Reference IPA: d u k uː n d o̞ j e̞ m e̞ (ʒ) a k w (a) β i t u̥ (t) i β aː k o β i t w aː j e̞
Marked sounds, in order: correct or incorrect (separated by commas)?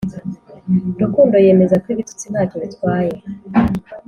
incorrect, incorrect, incorrect